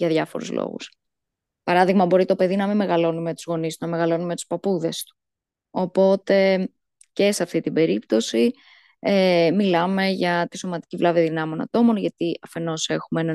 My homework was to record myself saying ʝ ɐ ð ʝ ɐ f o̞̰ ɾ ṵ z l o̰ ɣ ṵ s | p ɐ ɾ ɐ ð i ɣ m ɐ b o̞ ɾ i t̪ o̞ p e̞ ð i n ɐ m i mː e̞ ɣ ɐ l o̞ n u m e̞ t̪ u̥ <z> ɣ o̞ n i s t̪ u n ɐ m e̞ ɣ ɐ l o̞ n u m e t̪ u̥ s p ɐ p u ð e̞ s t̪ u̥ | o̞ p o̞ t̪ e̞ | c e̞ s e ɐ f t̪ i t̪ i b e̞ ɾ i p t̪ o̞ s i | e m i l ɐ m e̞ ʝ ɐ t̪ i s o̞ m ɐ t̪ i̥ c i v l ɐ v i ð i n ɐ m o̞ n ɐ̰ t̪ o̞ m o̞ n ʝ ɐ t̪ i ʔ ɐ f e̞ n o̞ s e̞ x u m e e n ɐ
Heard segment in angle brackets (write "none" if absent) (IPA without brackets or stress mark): z